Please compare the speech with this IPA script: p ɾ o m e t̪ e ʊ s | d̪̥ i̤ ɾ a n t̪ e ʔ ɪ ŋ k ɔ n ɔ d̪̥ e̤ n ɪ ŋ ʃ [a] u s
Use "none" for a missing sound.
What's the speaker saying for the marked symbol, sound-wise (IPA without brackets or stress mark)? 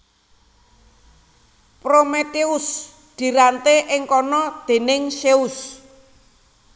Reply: e